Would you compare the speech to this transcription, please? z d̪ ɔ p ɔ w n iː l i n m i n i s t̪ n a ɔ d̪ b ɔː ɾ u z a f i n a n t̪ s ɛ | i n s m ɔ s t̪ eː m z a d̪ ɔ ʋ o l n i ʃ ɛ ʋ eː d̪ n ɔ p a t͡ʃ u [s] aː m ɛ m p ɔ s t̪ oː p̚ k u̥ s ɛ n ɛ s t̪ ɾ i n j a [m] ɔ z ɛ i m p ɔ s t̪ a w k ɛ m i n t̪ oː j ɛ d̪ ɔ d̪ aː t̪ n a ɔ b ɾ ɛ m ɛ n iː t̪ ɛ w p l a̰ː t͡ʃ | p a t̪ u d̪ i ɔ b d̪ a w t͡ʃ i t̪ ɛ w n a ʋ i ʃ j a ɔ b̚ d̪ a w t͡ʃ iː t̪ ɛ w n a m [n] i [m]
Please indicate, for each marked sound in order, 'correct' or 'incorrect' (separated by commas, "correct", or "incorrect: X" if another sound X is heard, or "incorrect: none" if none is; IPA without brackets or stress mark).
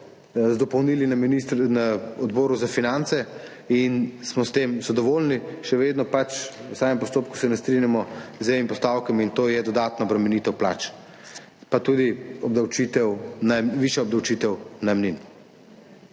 correct, correct, correct, incorrect: n